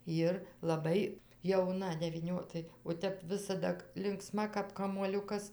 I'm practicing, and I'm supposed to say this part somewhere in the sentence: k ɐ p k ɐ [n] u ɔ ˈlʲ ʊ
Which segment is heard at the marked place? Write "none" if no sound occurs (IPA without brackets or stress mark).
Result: m